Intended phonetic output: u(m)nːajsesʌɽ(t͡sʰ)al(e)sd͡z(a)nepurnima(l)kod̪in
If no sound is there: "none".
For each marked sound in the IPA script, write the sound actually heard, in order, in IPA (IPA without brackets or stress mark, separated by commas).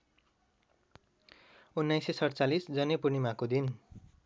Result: none, t͡s, i, ʌ, none